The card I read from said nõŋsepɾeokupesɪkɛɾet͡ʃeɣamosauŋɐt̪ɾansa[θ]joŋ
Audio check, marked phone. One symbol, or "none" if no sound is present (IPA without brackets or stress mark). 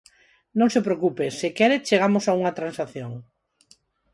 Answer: θ